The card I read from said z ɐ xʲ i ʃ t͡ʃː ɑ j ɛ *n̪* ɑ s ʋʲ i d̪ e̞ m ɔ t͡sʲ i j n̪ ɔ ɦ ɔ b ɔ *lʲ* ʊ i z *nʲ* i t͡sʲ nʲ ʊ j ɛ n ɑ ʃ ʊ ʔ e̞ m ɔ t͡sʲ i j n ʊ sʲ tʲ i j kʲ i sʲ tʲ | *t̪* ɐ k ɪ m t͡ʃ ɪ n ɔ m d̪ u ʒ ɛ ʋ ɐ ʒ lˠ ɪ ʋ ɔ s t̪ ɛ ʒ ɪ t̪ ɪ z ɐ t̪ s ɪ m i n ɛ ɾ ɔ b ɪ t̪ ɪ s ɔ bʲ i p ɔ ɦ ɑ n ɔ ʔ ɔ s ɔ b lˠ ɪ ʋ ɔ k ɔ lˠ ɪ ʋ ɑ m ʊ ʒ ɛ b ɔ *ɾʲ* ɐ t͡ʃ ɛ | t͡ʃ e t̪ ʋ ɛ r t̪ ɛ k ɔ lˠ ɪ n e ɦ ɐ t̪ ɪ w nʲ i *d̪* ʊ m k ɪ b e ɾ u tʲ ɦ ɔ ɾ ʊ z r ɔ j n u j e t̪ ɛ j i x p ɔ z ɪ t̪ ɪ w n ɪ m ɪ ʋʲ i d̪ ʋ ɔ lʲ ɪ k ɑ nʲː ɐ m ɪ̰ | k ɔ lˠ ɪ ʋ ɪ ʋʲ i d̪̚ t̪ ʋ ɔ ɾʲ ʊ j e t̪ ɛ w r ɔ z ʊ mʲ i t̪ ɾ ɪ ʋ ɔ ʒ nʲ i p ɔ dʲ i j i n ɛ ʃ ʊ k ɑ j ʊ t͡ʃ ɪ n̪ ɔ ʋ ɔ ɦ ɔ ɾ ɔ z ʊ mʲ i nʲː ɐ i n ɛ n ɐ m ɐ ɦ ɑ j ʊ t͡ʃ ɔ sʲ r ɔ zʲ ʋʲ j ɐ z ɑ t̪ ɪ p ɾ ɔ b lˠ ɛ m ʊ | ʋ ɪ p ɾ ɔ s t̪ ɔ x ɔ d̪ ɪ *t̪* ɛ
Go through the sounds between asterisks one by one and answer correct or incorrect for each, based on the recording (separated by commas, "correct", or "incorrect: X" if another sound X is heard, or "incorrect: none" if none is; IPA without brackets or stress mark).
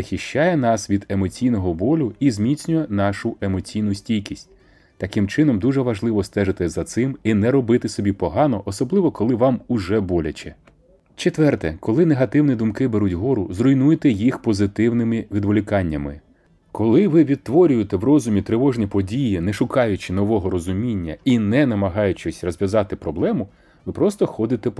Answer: correct, correct, incorrect: mʲ, correct, incorrect: lʲ, correct, correct